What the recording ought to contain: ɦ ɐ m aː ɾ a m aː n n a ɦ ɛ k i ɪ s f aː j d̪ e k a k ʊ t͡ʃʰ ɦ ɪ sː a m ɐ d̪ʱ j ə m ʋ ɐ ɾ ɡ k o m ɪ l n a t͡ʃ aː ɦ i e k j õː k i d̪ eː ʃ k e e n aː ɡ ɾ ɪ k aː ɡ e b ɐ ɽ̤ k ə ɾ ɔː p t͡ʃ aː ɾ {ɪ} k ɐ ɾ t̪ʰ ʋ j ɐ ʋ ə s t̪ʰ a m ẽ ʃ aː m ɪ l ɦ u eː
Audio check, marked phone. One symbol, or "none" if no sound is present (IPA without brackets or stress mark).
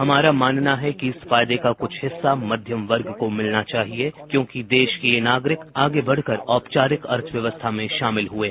ɪ